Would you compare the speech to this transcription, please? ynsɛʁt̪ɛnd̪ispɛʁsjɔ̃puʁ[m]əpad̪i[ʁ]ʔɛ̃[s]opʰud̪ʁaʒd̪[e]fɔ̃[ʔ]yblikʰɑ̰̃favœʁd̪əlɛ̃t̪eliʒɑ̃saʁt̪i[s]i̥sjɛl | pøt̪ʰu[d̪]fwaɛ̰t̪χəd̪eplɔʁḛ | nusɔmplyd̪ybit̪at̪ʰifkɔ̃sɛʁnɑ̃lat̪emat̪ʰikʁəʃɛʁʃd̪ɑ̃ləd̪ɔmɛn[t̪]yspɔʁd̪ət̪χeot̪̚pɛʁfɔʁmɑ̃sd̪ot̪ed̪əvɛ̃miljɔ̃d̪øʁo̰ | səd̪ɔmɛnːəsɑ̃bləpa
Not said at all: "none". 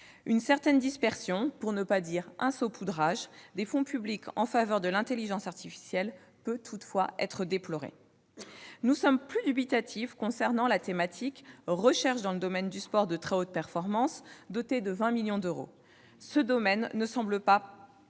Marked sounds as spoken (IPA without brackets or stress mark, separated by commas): n, ʁ, s, e, p, f, t̪, d̪